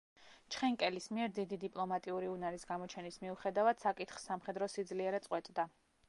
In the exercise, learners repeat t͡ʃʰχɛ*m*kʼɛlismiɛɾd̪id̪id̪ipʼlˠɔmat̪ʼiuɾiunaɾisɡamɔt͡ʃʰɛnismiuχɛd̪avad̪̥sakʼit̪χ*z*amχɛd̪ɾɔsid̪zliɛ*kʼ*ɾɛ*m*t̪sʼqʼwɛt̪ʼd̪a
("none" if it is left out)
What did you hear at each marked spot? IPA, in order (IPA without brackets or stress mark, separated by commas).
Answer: ŋ, s, none, none